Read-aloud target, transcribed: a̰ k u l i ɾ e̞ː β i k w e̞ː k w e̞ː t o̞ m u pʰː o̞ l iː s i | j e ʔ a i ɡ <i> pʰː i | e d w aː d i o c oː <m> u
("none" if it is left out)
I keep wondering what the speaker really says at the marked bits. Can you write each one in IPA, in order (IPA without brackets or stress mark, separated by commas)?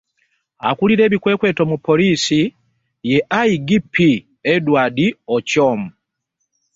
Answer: i, m